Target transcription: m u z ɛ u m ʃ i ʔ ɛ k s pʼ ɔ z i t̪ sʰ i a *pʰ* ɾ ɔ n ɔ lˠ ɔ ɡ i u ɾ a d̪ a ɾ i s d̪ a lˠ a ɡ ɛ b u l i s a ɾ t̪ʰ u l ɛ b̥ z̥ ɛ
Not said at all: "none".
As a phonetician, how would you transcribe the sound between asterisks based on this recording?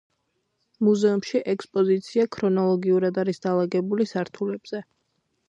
kʰ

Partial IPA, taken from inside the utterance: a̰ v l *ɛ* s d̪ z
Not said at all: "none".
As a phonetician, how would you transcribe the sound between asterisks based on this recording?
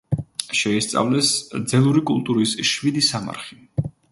ɛ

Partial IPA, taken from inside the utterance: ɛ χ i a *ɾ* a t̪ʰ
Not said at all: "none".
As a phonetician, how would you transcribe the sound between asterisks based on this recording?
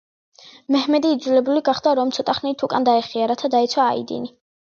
ɾ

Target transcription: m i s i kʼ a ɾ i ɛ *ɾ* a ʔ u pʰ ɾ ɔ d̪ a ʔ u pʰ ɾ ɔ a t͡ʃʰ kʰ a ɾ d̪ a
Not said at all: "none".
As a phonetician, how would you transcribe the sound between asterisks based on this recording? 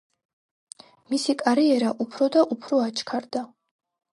ɾ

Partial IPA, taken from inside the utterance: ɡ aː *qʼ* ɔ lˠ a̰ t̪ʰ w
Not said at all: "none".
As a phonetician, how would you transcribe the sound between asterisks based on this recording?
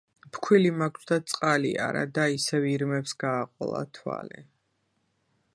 qʼ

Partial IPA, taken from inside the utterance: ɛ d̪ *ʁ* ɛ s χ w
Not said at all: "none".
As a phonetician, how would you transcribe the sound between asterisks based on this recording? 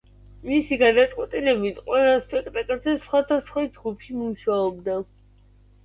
z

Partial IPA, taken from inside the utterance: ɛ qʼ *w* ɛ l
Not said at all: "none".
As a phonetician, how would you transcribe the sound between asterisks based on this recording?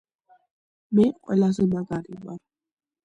w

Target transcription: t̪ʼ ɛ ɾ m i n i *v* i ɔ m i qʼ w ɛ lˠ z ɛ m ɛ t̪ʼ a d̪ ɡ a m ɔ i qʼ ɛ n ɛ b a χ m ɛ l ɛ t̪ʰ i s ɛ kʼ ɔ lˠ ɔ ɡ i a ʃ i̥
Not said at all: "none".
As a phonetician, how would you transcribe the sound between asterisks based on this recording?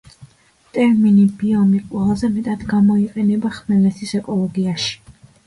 b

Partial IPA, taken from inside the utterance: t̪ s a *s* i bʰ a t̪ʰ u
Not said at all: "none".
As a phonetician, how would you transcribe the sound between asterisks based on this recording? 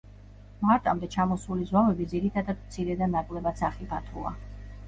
χ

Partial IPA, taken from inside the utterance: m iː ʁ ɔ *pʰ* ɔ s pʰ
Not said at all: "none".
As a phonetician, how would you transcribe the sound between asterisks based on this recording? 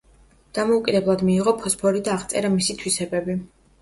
pʰ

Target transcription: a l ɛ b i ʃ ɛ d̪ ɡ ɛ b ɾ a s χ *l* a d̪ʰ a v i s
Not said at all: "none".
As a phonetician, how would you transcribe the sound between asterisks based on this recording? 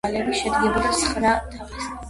ɾ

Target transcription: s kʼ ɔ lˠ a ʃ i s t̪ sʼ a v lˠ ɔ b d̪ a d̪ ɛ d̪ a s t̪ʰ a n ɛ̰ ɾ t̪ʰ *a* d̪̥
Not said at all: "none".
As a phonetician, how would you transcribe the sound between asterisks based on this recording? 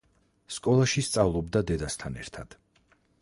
a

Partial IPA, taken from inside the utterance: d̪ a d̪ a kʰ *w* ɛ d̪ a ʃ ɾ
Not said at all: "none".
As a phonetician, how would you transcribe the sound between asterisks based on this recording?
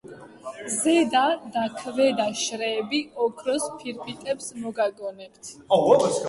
v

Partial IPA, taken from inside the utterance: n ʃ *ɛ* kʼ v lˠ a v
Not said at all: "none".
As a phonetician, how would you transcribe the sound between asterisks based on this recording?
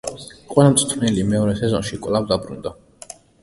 i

